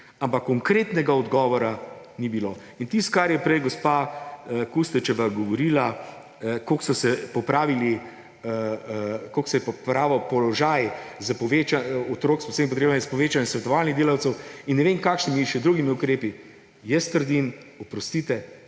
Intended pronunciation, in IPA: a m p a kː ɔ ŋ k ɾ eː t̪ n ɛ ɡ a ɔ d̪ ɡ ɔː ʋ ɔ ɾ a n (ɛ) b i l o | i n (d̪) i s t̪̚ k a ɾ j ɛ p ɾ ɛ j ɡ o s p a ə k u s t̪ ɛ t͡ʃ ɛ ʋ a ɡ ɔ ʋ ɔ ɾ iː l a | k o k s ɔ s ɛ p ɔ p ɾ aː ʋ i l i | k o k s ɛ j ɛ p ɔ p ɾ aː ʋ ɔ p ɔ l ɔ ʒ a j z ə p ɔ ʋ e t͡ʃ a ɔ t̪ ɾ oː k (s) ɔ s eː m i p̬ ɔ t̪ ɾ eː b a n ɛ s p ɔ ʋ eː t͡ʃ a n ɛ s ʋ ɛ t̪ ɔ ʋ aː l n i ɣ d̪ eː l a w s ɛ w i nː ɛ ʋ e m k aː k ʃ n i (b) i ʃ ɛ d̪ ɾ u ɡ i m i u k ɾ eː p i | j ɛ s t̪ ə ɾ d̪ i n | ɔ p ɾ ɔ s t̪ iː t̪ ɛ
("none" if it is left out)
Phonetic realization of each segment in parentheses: i, t̪, s, m

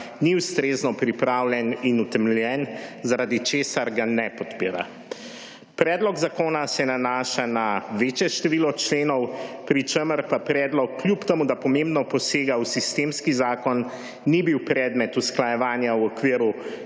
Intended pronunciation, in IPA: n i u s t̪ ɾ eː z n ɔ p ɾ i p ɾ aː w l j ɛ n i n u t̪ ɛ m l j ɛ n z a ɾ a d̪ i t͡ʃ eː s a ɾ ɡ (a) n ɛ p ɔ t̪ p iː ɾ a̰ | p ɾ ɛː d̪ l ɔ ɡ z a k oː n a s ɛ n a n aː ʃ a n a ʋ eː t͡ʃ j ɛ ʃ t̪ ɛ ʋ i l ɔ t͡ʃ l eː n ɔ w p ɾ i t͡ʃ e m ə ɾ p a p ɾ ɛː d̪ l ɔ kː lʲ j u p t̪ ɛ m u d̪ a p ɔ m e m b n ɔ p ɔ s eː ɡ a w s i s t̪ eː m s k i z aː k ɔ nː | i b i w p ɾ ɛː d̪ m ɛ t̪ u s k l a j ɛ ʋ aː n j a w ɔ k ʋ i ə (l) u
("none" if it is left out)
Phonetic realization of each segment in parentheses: a, ɾ

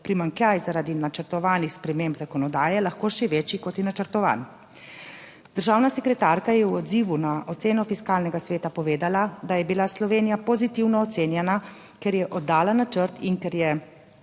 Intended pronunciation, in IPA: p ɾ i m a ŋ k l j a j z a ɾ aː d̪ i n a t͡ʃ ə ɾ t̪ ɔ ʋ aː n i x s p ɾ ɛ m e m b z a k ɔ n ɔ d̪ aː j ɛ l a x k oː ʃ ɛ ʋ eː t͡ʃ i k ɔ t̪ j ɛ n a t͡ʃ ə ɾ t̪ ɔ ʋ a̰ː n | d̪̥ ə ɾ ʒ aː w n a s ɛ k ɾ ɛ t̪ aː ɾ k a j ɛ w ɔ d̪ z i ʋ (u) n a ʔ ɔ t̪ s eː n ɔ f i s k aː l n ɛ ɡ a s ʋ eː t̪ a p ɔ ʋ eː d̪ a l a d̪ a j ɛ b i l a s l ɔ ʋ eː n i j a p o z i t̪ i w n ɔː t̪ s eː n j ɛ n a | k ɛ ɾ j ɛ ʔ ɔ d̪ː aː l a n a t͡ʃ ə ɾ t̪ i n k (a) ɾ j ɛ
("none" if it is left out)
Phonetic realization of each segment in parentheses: u, ɛ

